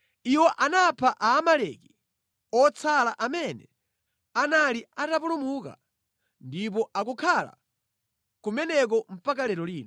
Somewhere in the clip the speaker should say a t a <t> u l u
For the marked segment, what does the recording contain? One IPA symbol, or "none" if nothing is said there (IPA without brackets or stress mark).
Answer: p